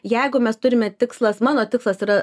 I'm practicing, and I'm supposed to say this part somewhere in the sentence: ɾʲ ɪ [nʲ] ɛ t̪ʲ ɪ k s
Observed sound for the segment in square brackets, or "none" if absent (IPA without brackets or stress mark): mʲ